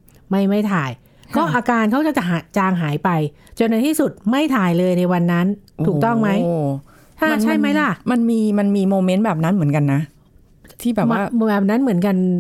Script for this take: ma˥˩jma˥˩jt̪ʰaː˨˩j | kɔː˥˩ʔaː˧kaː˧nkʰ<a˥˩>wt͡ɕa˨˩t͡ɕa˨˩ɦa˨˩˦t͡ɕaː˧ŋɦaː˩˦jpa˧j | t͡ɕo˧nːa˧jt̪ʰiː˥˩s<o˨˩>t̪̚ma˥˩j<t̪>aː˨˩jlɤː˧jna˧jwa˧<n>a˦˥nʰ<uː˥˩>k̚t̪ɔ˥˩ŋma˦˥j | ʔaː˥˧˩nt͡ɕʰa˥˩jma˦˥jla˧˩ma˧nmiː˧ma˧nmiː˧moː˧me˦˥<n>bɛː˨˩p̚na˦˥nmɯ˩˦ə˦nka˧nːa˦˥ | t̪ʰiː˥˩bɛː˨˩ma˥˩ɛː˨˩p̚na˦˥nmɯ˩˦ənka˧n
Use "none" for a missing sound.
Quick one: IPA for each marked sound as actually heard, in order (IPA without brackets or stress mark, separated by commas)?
a˦˥, u˨˩, t̪ʰ, nː, uː˨˩, n